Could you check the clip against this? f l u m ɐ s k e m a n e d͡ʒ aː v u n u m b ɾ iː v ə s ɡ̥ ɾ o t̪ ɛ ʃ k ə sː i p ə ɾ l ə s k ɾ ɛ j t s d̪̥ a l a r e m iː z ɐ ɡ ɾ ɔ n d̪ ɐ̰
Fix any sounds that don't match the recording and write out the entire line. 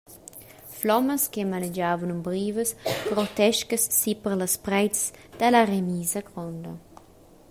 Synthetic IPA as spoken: f l ɔ m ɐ s k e m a n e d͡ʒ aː v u n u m b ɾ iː v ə s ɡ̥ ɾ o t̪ ɛ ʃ k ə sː i p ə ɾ l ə s p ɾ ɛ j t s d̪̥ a l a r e m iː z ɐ ɡ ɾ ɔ n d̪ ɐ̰